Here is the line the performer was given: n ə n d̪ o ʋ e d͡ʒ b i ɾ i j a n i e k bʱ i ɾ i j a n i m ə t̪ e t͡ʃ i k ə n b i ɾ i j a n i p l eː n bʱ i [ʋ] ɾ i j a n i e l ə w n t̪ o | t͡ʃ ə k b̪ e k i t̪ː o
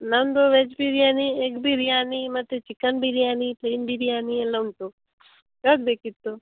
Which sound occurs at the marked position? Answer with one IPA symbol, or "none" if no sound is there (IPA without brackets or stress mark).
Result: none